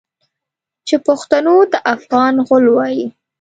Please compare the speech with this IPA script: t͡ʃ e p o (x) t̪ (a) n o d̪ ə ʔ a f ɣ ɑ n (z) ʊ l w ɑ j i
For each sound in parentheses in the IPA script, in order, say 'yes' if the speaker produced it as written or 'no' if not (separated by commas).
yes, yes, no